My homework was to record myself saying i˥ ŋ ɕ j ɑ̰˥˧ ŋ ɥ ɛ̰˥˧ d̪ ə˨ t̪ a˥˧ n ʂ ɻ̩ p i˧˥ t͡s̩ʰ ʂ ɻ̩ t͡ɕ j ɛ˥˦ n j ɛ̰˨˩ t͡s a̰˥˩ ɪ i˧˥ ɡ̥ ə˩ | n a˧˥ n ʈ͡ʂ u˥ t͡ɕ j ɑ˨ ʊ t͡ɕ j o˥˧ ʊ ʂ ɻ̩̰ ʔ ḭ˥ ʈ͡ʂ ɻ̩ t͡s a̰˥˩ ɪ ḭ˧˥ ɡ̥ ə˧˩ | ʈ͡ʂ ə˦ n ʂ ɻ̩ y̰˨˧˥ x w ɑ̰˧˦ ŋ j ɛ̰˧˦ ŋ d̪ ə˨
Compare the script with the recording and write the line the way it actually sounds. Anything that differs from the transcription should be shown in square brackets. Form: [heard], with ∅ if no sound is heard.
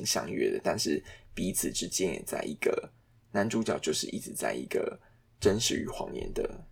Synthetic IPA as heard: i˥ ŋ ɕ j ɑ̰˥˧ ŋ ɥ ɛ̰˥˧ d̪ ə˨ t̪ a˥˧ n ʂ ɻ̩ p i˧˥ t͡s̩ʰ [ʈ͡ʂ] ɻ̩ t͡ɕ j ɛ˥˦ n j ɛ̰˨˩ t͡s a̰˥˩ ɪ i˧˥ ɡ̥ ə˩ | n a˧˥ n ʈ͡ʂ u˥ t͡ɕ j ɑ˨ ʊ t͡ɕ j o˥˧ ʊ ʂ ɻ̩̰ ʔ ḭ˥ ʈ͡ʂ ɻ̩ t͡s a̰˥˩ ɪ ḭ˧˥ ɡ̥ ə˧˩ | ʈ͡ʂ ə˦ n ʂ ɻ̩ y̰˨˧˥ x w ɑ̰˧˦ ŋ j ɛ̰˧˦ [n] d̪ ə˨